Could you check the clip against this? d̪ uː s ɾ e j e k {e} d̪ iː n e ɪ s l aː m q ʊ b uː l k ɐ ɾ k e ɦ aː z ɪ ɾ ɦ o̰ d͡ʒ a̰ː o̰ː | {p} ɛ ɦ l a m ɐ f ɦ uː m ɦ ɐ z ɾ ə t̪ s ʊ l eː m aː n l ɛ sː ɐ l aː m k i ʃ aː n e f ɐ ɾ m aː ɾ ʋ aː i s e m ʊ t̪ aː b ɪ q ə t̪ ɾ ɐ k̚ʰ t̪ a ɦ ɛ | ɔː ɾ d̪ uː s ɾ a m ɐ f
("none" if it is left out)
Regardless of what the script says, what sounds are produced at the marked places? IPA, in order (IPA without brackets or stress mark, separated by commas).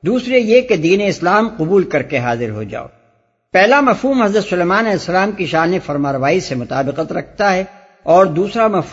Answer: e, p